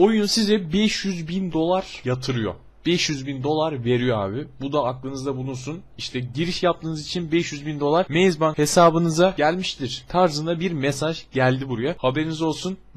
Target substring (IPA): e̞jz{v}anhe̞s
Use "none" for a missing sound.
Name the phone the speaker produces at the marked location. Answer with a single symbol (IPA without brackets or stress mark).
b